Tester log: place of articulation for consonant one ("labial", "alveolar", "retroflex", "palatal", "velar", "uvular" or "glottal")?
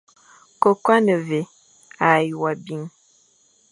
velar